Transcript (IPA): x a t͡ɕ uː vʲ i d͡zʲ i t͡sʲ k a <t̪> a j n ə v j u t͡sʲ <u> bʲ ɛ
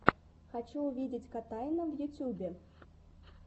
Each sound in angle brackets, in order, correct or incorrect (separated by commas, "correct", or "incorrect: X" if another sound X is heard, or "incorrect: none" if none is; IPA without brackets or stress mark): correct, correct